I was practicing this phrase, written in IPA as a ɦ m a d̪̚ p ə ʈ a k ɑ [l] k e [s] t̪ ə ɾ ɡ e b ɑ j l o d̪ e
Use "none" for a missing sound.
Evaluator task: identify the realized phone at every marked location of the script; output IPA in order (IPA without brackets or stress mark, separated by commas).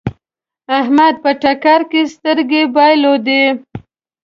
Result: ɾ, s